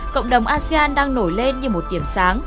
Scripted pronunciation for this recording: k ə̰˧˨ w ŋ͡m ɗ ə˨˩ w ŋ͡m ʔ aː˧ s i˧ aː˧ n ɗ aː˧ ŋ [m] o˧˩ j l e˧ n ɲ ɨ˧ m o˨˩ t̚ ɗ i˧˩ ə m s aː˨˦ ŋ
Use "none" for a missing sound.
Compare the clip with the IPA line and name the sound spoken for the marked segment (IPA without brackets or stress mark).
n